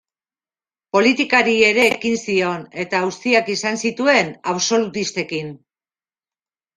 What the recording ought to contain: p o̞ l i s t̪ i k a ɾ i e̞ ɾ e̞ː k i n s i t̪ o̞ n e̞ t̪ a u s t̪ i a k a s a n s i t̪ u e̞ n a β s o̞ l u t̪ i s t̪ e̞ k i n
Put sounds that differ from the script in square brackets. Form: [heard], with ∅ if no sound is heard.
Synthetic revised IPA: p o̞ l i [∅] t̪ i k a ɾ i e̞ ɾ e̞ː k i n s i [∅] o̞ n e̞ t̪ a u s t̪ i a k [i] s a n s i t̪ u e̞ n a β s o̞ l u t̪ i s t̪ e̞ k i n